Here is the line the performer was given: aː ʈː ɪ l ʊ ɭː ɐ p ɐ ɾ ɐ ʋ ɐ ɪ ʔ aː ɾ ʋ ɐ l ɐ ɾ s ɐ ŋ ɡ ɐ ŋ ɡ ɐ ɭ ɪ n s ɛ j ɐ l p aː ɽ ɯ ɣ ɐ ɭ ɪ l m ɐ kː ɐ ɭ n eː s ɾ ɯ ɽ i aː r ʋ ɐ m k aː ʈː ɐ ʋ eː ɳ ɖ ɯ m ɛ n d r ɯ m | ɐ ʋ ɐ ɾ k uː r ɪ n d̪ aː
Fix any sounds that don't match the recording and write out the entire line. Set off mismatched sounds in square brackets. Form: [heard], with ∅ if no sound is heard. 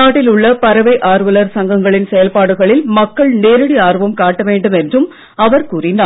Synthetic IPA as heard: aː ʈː ɪ l ʊ ɭː ɐ p ɐ ɾ ɐ ʋ ɐ ɪ ʔ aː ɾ ʋ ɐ l ɐ ɾ s ɐ ŋ ɡ ɐ ŋ ɡ ɐ ɭ ɪ n s ɛ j ɐ l p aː ɽ ɯ ɣ ɐ ɭ ɪ l m ɐ kː ɐ ɭ n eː [∅] ɾ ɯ ɽ i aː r ʋ ɐ m k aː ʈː ɐ ʋ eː ɳ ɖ ɯ m ɛ n d r ɯ m | ɐ ʋ ɐ ɾ k uː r ɪ n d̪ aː